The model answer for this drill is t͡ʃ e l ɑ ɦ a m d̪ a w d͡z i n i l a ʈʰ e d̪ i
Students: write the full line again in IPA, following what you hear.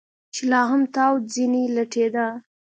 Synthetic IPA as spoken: t͡ʃ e l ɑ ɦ a m t̪ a w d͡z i n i l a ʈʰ e d̪ a